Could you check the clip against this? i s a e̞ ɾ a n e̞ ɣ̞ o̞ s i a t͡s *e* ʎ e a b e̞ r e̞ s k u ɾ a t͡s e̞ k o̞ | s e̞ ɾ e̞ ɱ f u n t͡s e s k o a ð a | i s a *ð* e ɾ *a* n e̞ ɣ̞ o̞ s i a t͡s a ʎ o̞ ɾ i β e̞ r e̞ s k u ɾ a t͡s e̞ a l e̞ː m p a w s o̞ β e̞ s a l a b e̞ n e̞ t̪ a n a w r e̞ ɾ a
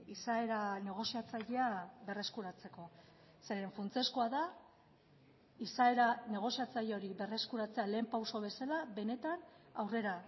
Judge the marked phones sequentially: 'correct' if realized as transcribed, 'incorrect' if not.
incorrect, incorrect, correct

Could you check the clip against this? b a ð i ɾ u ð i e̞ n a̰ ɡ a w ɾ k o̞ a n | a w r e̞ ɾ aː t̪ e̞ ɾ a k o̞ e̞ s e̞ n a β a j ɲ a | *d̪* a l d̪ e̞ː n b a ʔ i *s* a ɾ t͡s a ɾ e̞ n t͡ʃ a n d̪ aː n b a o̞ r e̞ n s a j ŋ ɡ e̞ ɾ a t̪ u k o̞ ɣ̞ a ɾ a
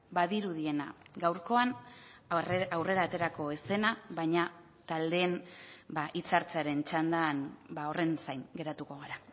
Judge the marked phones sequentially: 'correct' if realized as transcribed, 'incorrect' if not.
incorrect, incorrect

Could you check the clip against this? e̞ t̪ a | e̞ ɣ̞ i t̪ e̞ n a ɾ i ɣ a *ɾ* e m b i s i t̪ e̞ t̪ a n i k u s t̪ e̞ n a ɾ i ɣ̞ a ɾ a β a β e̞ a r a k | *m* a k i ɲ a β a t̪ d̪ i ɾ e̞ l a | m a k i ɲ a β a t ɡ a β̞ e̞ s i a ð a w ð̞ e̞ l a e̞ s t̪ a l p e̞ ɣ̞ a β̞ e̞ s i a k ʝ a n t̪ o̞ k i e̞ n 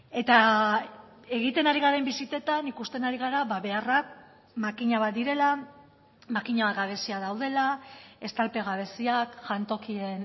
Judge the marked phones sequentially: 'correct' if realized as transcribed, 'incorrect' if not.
correct, correct

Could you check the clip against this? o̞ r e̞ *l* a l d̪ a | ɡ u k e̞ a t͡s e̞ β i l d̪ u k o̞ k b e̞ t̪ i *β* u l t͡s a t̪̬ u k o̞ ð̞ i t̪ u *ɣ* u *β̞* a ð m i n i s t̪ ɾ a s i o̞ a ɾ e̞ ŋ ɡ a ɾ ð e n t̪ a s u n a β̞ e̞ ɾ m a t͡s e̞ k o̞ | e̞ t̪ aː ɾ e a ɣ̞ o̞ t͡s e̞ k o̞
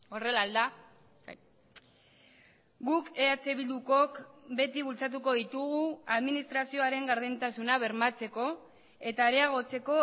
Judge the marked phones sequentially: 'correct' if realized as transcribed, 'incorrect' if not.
correct, correct, correct, incorrect

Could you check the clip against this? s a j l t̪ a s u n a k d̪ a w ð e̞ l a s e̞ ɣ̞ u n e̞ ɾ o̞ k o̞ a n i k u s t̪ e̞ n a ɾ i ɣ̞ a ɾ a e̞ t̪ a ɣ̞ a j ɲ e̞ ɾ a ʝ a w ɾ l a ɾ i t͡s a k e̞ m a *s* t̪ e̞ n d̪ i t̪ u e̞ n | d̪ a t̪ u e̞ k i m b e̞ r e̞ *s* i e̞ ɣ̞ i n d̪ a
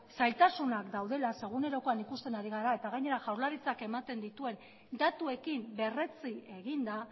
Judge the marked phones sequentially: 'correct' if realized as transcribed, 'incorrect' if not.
incorrect, incorrect

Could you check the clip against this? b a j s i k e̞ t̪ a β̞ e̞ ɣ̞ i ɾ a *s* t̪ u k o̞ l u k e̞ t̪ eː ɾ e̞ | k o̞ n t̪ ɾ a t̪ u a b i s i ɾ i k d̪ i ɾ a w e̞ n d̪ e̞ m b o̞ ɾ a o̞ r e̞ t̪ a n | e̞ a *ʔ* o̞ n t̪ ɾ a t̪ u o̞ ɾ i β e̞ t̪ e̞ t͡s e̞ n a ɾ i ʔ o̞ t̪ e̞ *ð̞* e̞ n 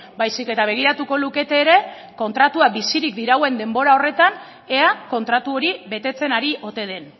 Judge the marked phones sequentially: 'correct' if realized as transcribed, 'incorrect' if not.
incorrect, incorrect, correct

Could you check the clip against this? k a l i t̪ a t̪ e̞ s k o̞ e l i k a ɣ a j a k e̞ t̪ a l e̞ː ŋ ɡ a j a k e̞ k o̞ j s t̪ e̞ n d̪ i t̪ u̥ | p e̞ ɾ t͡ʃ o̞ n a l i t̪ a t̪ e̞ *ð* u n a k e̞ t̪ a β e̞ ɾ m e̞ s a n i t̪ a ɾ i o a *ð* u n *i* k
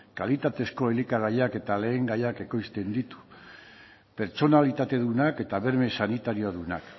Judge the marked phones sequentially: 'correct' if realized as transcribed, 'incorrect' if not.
correct, correct, incorrect

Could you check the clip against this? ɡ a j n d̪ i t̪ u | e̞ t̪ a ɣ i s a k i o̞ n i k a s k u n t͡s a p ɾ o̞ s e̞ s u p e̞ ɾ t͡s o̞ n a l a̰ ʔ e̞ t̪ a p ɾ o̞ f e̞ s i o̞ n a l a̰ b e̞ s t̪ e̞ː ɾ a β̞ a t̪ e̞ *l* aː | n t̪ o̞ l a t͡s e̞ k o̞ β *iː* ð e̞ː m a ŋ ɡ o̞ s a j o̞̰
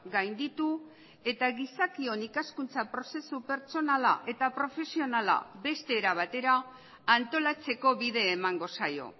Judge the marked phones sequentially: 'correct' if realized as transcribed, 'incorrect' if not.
incorrect, incorrect

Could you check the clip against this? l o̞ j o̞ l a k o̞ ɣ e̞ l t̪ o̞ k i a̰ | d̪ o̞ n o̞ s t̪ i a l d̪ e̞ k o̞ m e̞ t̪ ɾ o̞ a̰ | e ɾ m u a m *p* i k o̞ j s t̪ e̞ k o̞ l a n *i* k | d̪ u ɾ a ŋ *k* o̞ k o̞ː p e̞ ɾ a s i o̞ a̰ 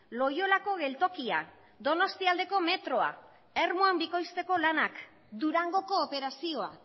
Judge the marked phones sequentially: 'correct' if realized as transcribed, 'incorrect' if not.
incorrect, incorrect, incorrect

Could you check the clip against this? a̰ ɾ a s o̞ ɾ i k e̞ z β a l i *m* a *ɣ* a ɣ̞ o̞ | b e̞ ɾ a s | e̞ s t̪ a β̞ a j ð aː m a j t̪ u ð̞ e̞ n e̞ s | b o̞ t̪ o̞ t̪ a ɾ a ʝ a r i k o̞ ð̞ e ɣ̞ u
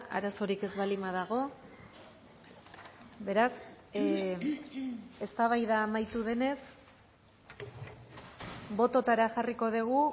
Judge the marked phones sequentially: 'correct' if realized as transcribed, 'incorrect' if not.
correct, incorrect

